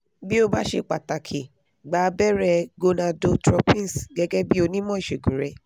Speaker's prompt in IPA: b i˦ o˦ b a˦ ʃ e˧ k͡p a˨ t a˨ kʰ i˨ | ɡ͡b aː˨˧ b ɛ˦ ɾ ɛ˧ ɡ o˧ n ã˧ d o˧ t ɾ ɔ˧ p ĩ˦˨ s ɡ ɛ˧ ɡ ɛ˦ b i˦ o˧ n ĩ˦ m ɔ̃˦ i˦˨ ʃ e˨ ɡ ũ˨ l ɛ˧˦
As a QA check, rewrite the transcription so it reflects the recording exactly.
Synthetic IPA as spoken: b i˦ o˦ b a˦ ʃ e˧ k͡p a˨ t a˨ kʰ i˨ | ɡ͡b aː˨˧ b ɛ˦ ɾ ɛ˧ ɡ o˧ n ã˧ d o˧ t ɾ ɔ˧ p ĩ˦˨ s ɡ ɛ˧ ɡ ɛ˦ b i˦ o˧ n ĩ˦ m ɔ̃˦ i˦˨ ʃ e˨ ɡ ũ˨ ɾ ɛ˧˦

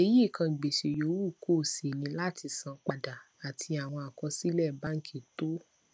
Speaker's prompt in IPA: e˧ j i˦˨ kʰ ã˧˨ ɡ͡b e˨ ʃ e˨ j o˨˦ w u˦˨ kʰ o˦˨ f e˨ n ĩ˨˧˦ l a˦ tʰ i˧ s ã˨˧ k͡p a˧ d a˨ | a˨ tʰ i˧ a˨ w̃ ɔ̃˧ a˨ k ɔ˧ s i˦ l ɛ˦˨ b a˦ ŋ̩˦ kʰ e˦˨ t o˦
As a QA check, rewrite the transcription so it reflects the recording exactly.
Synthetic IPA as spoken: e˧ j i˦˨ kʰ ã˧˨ ɡ͡b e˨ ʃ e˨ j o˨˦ w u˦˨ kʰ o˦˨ s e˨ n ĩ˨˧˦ l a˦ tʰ i˧ s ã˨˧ k͡p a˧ d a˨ | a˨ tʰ i˧ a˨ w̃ ɔ̃˧ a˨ k ɔ˧ s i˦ l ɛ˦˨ b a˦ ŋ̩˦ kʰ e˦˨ t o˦

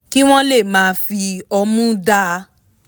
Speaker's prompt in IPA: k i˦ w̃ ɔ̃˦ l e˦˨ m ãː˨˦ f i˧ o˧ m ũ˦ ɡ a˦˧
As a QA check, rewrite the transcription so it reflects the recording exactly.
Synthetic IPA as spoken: k i˦ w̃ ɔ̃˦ l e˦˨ m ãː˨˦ f i˧ ɔ˧ m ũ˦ d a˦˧

